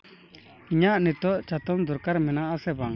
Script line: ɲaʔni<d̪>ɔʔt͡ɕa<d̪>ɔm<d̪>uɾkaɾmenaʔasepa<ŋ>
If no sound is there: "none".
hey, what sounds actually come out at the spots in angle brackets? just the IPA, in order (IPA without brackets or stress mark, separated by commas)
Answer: t̪, t̪, d̪, ŋ